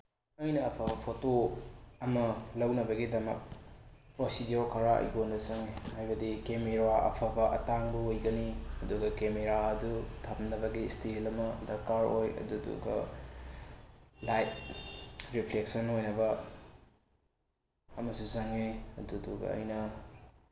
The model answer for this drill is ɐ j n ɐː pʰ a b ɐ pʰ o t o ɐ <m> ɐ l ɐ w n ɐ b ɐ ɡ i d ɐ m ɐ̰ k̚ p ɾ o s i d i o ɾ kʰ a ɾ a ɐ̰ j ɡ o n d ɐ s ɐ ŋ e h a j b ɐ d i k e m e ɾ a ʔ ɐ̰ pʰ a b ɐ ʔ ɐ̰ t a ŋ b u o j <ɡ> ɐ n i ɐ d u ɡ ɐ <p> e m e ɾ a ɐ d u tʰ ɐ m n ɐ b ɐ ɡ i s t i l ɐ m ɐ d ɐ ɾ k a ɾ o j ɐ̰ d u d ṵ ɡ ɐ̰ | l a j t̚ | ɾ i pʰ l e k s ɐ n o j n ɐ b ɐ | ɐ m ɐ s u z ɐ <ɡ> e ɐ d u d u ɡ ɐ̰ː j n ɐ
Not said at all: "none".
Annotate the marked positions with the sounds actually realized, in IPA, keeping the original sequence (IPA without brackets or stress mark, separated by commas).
m, ɡ, k, ŋ